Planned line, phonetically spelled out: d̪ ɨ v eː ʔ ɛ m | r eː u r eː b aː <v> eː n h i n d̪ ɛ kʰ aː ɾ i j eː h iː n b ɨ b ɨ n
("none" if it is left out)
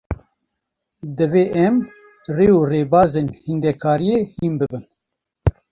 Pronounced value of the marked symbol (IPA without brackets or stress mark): z